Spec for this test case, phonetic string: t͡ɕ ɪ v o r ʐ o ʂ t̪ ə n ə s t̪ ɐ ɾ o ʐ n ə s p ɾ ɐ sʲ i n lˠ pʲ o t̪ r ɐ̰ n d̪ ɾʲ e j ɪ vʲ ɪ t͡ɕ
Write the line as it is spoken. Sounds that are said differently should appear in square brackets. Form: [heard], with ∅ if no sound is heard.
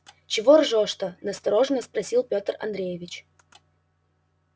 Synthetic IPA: t͡ɕ ɪ v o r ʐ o ʂ t̪ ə n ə s t̪ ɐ ɾ o ʐ n ə s p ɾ ɐ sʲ i [∅] lˠ pʲ o t̪ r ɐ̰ n d̪ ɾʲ e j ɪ vʲ ɪ t͡ɕ